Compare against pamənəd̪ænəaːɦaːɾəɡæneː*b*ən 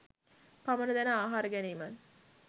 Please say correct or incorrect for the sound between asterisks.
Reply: incorrect